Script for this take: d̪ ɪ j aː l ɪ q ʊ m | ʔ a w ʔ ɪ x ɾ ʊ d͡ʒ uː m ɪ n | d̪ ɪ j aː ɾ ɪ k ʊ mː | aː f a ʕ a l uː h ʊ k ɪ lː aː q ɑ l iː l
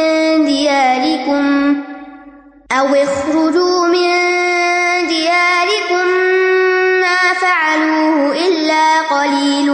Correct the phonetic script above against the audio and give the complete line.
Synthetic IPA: d̪ ɪ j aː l ɪ k ʊ m | ʔ a w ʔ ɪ x ɾ ʊ d͡ʒ uː m ɪ n | d̪ ɪ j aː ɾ ɪ k ʊ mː | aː f a ʕ a l uː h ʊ ʔ ɪ lː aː q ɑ l iː l